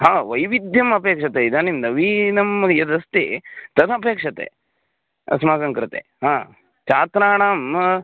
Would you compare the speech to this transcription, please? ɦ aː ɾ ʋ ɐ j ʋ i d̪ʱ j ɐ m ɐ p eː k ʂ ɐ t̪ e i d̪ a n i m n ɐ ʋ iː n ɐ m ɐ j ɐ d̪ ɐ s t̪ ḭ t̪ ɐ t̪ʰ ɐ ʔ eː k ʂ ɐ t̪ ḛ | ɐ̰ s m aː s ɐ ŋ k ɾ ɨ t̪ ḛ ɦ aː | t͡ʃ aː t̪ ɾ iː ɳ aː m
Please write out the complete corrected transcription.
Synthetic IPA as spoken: ɦ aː ʋ ɐ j ʋ i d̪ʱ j ɐ m ɐ p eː k ʂ ɐ t̪ e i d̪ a n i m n ɐ ʋ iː n ɐ m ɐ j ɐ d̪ ɐ s t̪ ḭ t̪ ɐ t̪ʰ ɐ p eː k ʂ ɐ t̪ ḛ | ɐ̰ s m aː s ɐ ŋ k ɾ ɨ t̪ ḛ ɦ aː | t͡ʃ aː t̪ ɾ aː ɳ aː m